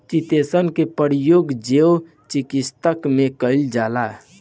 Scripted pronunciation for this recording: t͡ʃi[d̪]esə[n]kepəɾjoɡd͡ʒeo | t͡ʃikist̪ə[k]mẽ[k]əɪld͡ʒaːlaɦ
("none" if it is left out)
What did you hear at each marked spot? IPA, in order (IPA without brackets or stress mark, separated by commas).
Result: t̪, n, k, k